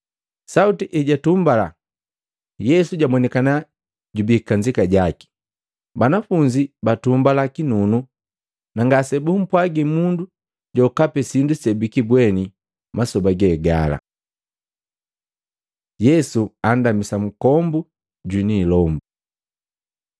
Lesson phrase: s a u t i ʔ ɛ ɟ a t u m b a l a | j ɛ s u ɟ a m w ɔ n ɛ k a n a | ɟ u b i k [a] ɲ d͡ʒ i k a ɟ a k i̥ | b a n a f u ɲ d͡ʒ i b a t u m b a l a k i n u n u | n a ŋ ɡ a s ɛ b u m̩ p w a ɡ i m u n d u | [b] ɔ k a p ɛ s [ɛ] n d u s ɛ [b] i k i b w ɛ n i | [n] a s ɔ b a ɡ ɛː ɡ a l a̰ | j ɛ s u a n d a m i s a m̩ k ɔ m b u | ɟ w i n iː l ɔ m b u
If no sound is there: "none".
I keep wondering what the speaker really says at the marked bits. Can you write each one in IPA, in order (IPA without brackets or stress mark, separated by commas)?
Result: a, ɟ, i, b, m